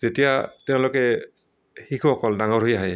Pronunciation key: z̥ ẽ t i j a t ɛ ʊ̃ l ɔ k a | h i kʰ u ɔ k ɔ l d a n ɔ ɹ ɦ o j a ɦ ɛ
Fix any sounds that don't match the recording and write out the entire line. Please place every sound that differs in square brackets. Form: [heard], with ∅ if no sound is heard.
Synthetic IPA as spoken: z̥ [e] t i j a t ɛ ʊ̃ l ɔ k [ɛ] | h i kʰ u ɔ k ɔ l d a [ŋ] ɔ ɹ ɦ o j a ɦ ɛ